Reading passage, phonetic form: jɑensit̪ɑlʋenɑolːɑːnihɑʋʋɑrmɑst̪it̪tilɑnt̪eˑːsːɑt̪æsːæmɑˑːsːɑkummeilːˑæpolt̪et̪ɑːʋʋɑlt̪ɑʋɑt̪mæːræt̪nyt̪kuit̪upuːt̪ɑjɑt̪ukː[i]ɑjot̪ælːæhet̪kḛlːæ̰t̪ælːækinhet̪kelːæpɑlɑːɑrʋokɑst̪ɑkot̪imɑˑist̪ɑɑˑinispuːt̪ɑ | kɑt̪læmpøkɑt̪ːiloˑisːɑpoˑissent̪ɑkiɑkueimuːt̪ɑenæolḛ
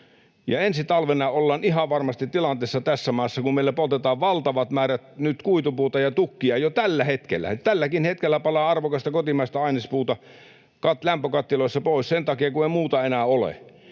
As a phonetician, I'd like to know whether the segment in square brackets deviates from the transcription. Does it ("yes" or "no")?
no